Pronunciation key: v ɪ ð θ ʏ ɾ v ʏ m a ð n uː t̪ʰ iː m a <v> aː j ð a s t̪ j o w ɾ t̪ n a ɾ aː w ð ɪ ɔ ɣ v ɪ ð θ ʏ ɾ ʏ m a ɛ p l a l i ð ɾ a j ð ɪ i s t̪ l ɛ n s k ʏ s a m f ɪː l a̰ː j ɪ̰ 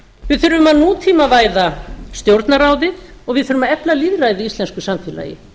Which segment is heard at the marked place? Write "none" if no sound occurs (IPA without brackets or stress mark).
v